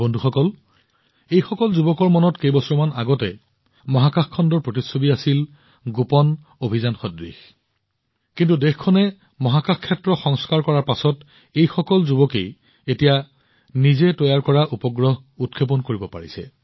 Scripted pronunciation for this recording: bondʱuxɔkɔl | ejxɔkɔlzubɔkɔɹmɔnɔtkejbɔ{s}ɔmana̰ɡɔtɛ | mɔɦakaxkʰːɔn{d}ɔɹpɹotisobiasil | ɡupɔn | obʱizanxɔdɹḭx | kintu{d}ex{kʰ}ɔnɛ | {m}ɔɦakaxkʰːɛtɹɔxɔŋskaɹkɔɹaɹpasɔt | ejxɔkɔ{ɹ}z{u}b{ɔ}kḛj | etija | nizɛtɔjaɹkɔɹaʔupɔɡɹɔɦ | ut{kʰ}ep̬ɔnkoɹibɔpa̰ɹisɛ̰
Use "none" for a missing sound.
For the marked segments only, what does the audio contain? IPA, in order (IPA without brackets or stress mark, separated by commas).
s, d, d, kʰ, m, l, u, ɔ, kʰ